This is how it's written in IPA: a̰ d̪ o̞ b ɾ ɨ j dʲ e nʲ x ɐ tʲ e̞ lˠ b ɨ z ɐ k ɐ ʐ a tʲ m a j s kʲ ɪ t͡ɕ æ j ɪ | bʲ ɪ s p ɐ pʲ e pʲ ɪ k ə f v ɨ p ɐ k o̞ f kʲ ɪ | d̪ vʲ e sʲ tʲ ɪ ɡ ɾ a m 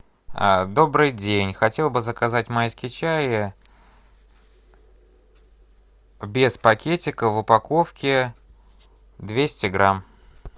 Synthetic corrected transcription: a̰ d̪ o̞ b ɾ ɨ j dʲ e nʲ x ɐ tʲ e̞ lˠ b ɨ z ə k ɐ z a tʲ m a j s kʲ ɪ t͡ɕ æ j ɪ | bʲ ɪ s p ɐ kʲ e tʲ ɪ k ə v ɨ p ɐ k o̞ f kʲ ɪ | d̪ vʲ e sʲ tʲ ɪ ɡ ɾ a m